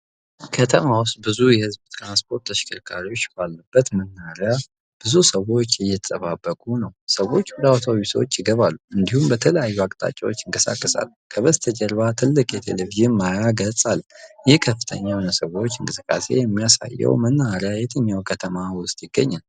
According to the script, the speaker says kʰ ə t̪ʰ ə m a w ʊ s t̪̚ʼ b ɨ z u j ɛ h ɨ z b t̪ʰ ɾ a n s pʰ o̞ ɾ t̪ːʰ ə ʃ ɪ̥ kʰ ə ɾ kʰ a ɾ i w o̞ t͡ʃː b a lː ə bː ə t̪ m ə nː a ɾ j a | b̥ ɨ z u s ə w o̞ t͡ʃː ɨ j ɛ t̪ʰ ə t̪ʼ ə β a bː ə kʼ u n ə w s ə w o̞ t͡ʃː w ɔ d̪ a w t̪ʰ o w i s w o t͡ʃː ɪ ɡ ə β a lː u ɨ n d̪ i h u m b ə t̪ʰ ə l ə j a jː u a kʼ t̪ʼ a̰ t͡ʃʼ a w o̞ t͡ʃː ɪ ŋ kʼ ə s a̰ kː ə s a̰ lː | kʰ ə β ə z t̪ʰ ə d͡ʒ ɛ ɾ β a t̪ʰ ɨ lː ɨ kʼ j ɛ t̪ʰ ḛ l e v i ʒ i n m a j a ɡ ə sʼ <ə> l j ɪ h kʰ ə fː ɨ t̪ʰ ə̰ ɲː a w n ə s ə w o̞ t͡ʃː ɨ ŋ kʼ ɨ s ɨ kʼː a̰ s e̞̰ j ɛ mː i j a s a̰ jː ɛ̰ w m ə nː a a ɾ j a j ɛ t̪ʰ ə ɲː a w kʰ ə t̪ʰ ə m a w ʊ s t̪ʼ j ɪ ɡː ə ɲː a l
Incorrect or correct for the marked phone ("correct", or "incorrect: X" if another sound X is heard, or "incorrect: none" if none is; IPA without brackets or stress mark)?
incorrect: a